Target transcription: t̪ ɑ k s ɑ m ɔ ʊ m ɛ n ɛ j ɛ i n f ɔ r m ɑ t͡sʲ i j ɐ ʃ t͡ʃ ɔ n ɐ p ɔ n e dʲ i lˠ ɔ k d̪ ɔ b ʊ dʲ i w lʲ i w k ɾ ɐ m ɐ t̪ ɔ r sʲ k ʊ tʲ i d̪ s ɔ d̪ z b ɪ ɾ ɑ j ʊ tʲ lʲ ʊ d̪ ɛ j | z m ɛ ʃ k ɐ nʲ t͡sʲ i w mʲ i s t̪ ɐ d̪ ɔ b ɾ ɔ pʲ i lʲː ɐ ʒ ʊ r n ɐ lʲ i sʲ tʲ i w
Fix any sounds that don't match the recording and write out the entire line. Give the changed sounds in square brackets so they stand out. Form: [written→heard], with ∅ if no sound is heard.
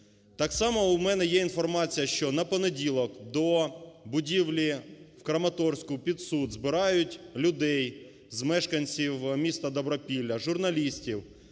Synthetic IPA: t̪ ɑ k s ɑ m ɔ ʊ m ɛ n ɛ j ɛ i n f ɔ r m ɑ t͡sʲ i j ɐ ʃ t͡ʃ ɔ n ɐ p ɔ n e dʲ i lˠ ɔ k d̪ ɔ b ʊ dʲ i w lʲ i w k ɾ ɐ m ɐ t̪ ɔ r sʲ k ʊ [tʲ→pʲ] i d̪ s [ɔ→u] d̪ z b ɪ ɾ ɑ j ʊ tʲ lʲ ʊ d̪ ɛ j | z m ɛ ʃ k ɐ nʲ t͡sʲ i w mʲ i s t̪ ɐ d̪ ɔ b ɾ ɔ pʲ i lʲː ɐ ʒ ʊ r n ɐ lʲ i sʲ tʲ i w

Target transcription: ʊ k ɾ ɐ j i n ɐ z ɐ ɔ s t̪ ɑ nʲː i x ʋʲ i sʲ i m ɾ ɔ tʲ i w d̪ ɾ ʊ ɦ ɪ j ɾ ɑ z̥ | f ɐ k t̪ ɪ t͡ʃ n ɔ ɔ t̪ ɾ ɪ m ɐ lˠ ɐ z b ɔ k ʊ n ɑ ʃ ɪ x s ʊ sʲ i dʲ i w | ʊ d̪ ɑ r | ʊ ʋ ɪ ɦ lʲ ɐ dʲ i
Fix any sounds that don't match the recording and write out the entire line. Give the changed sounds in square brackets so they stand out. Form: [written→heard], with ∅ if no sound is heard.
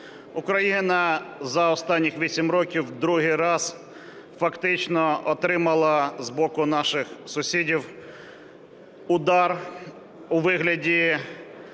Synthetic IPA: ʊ k ɾ ɐ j i n ɐ z ɐ ɔ s t̪ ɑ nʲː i x ʋʲ i sʲ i m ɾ ɔ [tʲ→kʲ] i w d̪ ɾ [ʊ→u] ɦ ɪ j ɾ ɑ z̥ | f ɐ k t̪ ɪ t͡ʃ n ɔ ɔ t̪ ɾ ɪ m ɐ lˠ ɐ z b ɔ k ʊ n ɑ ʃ ɪ x s ʊ sʲ i dʲ i w | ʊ d̪ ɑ r | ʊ ʋ ɪ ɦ lʲ ɐ dʲ i

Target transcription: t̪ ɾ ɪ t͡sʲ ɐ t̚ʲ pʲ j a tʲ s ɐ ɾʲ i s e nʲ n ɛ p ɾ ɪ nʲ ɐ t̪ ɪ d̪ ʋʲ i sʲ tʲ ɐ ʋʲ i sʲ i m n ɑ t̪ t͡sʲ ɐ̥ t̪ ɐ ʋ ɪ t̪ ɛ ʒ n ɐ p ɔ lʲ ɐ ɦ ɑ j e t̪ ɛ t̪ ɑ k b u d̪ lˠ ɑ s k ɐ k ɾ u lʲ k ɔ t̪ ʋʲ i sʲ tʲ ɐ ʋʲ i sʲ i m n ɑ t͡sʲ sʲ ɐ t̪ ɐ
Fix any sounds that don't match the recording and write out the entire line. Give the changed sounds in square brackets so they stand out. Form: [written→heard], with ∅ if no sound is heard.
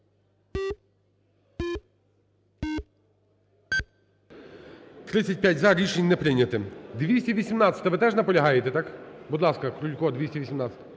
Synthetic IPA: t̪ ɾ ɪ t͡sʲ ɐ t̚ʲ pʲ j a tʲ [s→z] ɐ ɾʲ i [s→ʃ] e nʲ n ɛ p ɾ ɪ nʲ ɐ t̪ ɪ d̪ ʋʲ i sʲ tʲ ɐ ʋʲ i sʲ i m n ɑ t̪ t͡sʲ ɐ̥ t̪ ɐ ʋ ɪ t̪ ɛ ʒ n ɐ p ɔ lʲ ɐ ɦ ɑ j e t̪ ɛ t̪ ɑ k b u d̪ lˠ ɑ s k ɐ k ɾ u lʲ k ɔ [t̪→d̪] ʋʲ i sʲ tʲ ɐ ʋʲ i sʲ i m n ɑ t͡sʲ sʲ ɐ t̪ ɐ

